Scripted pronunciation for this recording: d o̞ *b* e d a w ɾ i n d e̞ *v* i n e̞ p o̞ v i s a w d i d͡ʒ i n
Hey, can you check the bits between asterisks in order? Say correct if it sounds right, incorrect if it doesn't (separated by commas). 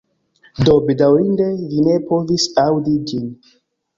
correct, correct